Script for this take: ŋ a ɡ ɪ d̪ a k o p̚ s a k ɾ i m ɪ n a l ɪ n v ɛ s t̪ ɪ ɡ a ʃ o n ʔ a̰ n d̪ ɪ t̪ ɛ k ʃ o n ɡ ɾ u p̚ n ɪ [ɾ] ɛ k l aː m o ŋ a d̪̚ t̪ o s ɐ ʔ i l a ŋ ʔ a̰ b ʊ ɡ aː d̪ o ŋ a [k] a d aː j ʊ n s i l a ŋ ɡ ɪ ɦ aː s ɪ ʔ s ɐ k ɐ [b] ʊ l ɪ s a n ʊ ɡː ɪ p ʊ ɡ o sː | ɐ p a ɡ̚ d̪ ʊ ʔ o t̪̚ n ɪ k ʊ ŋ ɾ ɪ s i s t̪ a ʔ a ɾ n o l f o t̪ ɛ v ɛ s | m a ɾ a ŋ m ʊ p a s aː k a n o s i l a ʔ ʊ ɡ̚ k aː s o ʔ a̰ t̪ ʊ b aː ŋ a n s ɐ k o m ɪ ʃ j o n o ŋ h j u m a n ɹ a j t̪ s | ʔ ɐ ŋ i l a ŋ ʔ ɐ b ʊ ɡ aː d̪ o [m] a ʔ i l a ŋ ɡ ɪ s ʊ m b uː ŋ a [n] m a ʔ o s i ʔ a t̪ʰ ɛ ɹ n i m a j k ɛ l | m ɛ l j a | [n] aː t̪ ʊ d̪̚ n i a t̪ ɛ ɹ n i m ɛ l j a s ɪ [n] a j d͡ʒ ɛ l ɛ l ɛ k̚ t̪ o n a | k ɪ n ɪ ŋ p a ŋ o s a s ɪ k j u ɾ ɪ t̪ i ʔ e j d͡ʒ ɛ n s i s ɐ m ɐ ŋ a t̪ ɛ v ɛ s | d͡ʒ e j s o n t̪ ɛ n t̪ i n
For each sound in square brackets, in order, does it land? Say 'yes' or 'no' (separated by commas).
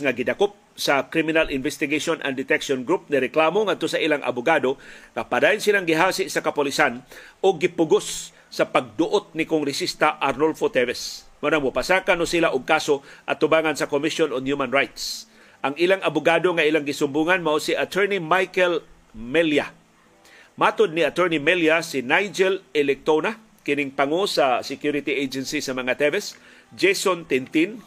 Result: yes, no, no, no, yes, no, yes